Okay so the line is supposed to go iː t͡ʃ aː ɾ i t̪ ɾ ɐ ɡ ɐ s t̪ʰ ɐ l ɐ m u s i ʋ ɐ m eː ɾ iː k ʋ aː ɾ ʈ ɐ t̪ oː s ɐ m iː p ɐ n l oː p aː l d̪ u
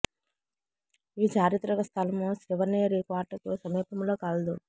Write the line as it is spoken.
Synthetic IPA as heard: iː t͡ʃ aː ɾ i t̪ ɾ ɐ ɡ ɐ s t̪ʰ ɐ l ɐ m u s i ʋ ɐ n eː ɾ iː k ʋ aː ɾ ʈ ɐ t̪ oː s ɐ m iː p ɐ m l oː k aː l d̪ u